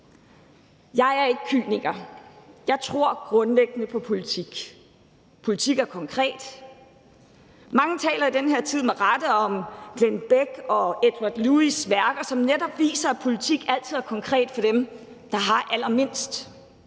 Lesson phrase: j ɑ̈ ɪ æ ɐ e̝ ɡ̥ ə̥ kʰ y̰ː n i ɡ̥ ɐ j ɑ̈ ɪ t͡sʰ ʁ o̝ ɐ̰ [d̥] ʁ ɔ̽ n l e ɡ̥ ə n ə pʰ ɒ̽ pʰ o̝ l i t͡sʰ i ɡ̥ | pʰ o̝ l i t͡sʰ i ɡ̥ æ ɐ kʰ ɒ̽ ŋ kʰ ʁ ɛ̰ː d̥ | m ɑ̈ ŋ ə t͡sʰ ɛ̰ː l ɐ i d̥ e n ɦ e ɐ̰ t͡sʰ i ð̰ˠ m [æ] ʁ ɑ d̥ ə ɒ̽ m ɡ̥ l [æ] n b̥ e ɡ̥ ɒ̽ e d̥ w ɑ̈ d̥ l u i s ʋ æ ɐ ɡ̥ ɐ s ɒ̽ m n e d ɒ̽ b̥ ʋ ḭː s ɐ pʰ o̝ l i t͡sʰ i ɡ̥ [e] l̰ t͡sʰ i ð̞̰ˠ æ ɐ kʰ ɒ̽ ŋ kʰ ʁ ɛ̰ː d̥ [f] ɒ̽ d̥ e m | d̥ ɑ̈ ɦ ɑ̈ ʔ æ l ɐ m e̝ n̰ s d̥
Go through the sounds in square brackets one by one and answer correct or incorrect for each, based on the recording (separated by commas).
incorrect, incorrect, incorrect, incorrect, correct